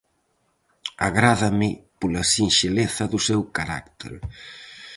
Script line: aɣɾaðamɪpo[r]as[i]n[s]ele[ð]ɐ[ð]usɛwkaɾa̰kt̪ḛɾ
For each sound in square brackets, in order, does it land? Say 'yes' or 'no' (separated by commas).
no, yes, no, no, yes